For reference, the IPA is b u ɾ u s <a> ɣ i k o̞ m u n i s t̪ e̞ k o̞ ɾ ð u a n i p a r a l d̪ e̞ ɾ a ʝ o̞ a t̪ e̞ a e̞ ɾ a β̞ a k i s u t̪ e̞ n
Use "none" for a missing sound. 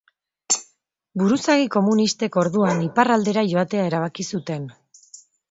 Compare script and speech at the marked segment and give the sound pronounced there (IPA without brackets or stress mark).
a